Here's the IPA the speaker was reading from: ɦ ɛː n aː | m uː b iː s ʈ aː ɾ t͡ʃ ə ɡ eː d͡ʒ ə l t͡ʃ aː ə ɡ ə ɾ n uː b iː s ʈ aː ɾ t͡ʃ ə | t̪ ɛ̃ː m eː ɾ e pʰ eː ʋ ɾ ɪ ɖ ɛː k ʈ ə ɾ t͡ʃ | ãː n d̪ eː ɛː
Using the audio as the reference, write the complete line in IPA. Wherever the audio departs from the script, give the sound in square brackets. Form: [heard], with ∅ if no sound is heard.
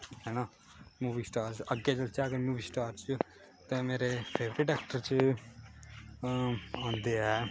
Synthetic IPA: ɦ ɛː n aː | m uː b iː s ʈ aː ɾ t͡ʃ ə ɡ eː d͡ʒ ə l t͡ʃ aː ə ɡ ə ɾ [m] uː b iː s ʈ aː ɾ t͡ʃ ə | t̪ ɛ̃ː m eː ɾ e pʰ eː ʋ ɾ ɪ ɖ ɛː k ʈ ə ɾ t͡ʃ | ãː n d̪ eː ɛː

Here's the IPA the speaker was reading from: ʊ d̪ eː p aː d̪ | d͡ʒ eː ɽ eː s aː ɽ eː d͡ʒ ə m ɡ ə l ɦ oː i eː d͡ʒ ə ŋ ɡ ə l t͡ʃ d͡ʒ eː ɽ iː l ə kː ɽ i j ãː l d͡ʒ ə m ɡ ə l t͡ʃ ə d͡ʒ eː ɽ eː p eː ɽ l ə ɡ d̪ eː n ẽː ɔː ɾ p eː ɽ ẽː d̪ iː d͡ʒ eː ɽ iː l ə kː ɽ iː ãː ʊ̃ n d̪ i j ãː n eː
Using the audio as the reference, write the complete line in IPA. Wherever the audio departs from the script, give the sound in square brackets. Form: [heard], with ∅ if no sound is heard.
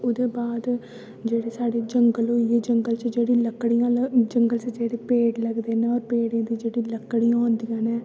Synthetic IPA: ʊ d̪ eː [b] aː d̪ | d͡ʒ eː ɽ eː s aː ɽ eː d͡ʒ ə [ŋ] ɡ ə l ɦ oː i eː d͡ʒ ə ŋ ɡ ə l t͡ʃ d͡ʒ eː ɽ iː l ə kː ɽ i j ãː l d͡ʒ ə [ŋ] ɡ ə l t͡ʃ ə d͡ʒ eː ɽ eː p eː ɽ l ə ɡ d̪ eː n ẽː ɔː ɾ p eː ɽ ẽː d̪ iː d͡ʒ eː ɽ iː l ə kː ɽ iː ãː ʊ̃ n d̪ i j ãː n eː

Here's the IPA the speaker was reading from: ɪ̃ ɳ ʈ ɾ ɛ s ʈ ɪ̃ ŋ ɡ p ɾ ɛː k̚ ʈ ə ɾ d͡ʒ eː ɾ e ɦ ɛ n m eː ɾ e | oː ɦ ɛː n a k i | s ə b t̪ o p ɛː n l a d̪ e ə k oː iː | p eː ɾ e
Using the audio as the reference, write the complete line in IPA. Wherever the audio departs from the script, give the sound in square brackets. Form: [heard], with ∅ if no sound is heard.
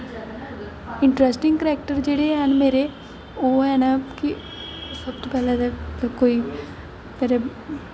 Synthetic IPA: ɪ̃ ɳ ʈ ɾ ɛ s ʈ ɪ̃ ŋ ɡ [k] ɾ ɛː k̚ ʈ ə ɾ d͡ʒ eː [ɽ] e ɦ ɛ n m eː ɾ e | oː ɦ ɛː n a k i | s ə b t̪ o p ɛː [∅] l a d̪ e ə k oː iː | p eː ɾ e

